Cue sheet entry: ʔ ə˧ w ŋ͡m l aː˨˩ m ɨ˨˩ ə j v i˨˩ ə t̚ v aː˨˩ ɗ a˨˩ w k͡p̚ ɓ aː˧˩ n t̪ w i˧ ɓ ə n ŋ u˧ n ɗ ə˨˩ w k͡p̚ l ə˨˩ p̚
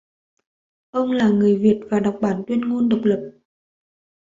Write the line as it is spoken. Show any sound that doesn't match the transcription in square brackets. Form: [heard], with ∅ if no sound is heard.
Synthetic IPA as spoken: ʔ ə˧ w ŋ͡m l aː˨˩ [ŋ] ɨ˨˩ ə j v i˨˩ ə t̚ v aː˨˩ ɗ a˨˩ w k͡p̚ ɓ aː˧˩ n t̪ w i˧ [∅] ə n ŋ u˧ n ɗ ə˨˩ w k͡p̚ l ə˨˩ p̚